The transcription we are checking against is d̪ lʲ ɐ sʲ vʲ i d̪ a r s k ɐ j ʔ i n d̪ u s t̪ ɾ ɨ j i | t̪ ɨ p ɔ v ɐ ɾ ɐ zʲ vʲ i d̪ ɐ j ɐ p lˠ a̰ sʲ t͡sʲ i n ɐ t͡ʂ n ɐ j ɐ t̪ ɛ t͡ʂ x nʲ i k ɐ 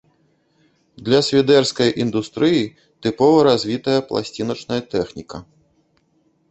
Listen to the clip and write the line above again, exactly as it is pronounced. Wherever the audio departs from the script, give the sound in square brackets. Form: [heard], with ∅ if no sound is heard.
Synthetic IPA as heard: d̪ lʲ ɐ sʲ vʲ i d̪ [ɛ] r s k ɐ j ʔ i n d̪ u s t̪ ɾ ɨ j i | t̪ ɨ p ɔ v ɐ ɾ [a] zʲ vʲ i [t̪] ɐ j ɐ p lˠ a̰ sʲ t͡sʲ i n ɐ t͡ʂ n ɐ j ɐ t̪ ɛ [∅] x nʲ i k ɐ